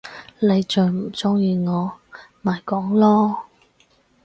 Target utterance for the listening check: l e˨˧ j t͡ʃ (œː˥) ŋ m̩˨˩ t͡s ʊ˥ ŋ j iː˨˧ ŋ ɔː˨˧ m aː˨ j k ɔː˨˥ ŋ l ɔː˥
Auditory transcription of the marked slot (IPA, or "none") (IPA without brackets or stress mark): œː˨